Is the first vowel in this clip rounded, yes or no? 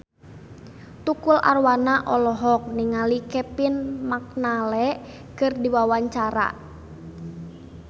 yes